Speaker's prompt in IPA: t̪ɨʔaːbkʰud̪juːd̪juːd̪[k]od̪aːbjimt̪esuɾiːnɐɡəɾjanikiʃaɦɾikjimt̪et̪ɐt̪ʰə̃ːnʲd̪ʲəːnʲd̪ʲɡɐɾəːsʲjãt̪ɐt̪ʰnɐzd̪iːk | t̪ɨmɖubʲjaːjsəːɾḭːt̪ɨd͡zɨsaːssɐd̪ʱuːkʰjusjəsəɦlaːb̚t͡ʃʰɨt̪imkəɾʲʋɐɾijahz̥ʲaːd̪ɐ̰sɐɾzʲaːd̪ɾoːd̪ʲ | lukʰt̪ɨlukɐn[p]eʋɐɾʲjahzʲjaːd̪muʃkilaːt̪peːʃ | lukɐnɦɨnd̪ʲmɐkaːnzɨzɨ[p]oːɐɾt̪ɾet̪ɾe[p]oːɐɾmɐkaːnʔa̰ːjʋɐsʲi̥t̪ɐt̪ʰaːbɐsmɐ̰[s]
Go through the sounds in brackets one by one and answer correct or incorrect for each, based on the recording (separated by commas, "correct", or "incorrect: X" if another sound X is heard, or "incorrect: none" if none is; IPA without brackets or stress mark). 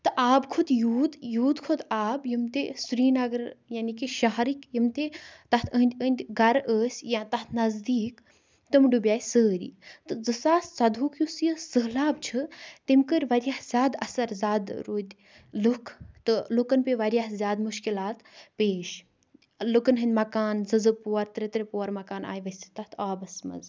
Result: incorrect: kʰ, correct, correct, correct, incorrect: z